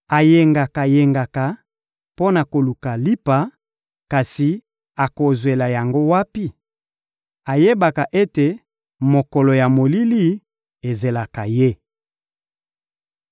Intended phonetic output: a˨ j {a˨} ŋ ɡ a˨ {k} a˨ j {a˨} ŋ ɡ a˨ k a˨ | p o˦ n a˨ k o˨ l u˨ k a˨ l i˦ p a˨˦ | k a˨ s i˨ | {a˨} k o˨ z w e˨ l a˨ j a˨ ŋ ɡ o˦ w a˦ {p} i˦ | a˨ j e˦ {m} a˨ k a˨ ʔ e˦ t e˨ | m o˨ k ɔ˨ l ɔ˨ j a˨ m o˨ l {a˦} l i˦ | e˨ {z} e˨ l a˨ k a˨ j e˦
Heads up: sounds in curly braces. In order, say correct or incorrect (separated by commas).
incorrect, correct, incorrect, correct, correct, incorrect, incorrect, correct